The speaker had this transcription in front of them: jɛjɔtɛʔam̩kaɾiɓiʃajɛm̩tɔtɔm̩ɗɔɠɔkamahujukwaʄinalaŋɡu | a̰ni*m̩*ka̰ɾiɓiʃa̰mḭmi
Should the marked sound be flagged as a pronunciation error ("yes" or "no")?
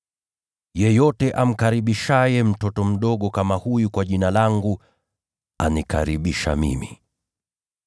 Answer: yes